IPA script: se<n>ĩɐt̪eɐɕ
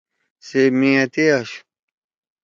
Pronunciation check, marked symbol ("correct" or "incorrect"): incorrect